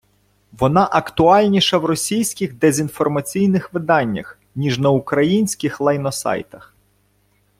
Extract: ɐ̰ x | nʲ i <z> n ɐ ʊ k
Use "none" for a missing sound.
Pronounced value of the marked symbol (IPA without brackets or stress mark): ʒ